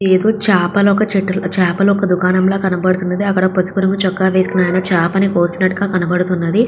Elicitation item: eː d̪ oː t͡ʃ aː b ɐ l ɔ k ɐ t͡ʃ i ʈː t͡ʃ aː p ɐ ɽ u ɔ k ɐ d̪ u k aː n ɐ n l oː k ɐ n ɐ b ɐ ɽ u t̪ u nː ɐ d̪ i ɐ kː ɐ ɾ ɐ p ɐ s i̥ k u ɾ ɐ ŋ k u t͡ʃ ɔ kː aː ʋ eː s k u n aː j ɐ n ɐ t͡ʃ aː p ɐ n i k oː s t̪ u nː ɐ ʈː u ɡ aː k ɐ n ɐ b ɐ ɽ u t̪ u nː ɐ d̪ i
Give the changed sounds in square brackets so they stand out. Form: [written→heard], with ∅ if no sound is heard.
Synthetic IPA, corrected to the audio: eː d̪ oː t͡ʃ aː [b→p] ɐ l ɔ k ɐ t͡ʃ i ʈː t͡ʃ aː p ɐ [ɽ→l] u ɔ k ɐ d̪ u k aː n ɐ [n→m] l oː k ɐ n ɐ b ɐ ɽ u t̪ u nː ɐ d̪ i ɐ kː ɐ [ɾ→ɽ] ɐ p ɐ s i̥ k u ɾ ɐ ŋ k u t͡ʃ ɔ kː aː ʋ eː s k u n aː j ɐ n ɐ t͡ʃ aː p ɐ n i k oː s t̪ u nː ɐ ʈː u ɡ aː k ɐ n ɐ b ɐ ɽ u t̪ u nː ɐ d̪ i